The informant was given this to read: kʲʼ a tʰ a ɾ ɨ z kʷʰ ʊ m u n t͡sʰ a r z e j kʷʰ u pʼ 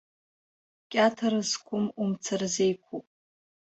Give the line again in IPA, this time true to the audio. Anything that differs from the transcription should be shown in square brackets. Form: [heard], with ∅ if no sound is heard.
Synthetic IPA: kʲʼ a tʰ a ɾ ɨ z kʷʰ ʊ m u [m] t͡sʰ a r z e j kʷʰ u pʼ